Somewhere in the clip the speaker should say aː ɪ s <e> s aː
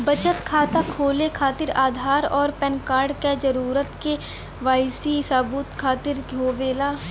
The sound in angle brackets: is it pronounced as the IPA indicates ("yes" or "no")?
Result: no